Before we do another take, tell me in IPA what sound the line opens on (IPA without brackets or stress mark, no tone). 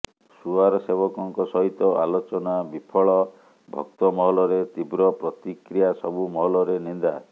s